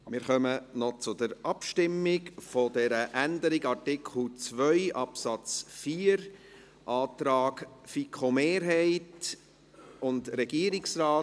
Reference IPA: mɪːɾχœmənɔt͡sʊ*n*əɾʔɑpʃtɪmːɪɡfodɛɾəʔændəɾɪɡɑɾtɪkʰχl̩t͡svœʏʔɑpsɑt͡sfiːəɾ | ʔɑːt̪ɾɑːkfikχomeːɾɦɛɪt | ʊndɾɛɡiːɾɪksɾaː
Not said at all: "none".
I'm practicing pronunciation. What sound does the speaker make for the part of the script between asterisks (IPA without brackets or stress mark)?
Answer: d